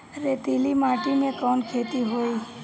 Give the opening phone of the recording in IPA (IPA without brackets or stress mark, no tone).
ɾ